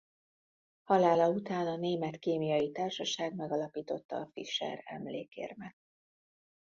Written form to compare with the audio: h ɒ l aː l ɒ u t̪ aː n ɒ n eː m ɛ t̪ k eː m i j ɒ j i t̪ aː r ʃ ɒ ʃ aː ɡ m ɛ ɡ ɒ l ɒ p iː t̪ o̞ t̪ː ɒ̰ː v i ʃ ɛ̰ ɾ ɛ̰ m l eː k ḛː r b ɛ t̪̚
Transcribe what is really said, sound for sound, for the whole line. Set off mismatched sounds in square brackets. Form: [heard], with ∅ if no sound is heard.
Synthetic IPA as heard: h ɒ l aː l ɒ u t̪ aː n ɒ n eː m ɛ t̪ k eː m i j ɒ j i t̪ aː r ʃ ɒ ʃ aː ɡ m ɛ ɡ ɒ l ɒ p iː t̪ o̞ t̪ː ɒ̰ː [f] i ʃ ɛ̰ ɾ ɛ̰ m l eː k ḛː r [m] ɛ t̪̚